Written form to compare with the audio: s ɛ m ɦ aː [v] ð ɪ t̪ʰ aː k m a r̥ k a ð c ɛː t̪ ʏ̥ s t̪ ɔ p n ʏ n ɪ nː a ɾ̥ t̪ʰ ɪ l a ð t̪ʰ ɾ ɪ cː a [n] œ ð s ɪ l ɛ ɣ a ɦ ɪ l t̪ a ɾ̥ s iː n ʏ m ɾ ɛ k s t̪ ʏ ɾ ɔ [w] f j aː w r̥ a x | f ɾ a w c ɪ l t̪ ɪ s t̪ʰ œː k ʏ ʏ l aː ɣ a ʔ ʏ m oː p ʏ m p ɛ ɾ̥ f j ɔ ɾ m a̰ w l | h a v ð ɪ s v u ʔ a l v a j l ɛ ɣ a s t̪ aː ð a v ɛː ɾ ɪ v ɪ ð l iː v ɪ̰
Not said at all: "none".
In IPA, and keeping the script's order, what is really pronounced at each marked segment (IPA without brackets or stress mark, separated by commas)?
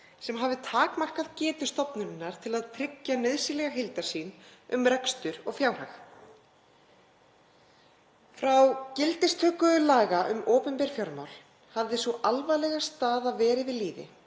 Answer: v, n, ɣ